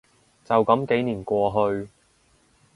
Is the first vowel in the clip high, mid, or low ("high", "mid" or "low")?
low